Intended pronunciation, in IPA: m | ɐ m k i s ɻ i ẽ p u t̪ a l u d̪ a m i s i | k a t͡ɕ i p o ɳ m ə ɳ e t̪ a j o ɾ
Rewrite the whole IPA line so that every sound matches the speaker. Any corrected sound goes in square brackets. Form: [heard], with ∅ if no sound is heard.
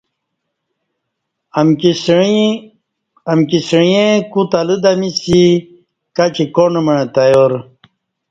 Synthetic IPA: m | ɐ m k i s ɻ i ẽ [k] u t̪ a l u d̪ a m i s i | k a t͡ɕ i [k] o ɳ m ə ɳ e t̪ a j o ɾ